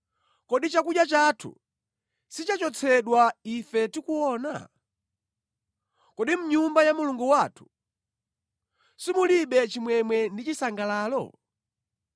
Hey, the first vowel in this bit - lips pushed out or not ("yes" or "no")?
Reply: yes